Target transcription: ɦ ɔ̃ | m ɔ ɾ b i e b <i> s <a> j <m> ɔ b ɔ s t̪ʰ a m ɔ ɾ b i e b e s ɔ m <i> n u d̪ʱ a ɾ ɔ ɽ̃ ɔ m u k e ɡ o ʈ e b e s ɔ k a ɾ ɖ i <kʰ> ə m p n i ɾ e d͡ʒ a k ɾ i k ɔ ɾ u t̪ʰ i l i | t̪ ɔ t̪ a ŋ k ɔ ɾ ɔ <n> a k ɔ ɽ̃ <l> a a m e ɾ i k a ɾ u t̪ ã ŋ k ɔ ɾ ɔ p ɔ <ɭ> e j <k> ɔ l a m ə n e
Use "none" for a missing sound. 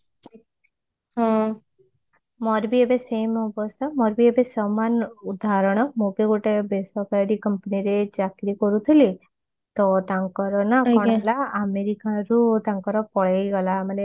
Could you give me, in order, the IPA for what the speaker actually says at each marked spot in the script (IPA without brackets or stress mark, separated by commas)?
e, e, m, a, k, n, l, ɭ, ɡ